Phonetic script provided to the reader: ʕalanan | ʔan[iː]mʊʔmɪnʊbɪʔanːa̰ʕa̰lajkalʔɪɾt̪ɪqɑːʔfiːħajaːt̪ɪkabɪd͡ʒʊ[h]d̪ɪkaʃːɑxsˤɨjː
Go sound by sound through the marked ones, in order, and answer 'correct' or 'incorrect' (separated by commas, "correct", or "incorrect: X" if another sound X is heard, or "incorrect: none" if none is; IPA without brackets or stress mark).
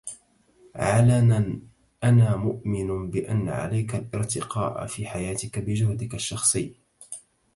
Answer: incorrect: aː, correct